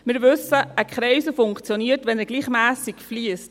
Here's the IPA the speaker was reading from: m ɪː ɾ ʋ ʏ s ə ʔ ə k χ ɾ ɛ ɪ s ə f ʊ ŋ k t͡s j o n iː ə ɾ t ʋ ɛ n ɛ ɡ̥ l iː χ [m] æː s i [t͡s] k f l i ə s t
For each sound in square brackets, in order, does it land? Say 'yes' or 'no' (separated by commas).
yes, no